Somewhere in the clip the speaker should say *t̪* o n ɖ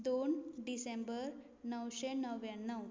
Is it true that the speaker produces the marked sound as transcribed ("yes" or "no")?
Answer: no